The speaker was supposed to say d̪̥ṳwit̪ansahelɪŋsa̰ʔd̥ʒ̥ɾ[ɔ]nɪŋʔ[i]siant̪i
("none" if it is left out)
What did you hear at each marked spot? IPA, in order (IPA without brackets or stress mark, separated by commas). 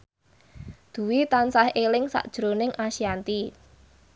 o, a